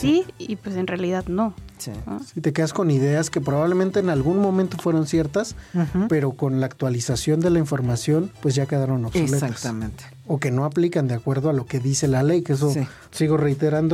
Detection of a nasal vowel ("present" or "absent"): present